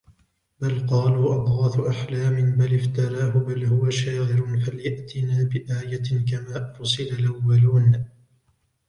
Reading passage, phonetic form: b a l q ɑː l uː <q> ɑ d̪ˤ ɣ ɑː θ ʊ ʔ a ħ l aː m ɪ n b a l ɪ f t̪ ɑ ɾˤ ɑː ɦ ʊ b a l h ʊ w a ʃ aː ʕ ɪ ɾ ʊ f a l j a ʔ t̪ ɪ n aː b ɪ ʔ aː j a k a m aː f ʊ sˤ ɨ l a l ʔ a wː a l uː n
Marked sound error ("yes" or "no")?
yes